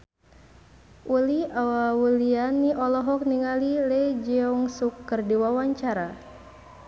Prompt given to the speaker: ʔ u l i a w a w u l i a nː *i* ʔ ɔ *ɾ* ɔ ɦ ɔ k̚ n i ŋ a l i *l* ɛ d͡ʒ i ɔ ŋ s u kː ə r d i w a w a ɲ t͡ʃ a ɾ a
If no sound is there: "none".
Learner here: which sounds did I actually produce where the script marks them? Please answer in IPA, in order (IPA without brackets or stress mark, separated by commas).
i, l, l